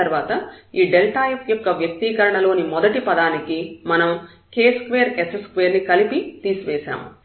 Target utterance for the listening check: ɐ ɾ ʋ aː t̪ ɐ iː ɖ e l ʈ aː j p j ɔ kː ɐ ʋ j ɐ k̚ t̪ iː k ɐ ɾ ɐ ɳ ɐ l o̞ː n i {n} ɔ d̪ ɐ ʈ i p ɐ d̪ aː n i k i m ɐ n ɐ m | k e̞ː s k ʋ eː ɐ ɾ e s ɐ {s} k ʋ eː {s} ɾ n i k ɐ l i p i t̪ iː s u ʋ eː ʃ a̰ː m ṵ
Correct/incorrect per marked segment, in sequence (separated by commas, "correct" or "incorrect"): incorrect, correct, incorrect